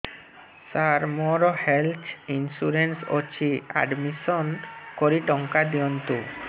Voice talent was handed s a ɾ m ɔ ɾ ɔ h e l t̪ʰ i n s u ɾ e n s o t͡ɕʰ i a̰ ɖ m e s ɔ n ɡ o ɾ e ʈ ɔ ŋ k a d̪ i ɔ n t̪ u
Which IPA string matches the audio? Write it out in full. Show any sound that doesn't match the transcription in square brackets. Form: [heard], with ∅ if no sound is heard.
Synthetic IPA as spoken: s a ɾ m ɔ ɾ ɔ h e l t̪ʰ i n s u ɾ e n s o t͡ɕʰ i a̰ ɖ m [i] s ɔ n [k] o ɾ [i] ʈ ɔ ŋ k a d̪ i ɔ n t̪ u